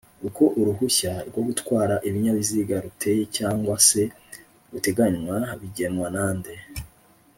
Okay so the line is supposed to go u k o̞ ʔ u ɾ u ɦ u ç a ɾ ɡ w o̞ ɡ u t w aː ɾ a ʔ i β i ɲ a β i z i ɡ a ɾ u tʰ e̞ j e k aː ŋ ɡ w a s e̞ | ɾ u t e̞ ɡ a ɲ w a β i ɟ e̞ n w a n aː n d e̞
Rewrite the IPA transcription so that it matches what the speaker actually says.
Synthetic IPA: u k o̞ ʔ u ɾ u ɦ u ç a ɾ ɡ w o̞ ɡ u t w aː ɾ a ʔ i β i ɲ a β i z i ɡ a ɾ u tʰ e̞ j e c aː ŋ ɡ w a s e̞ | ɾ u t e̞ ɡ a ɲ w a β i ɟ e̞ n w a n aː n d e̞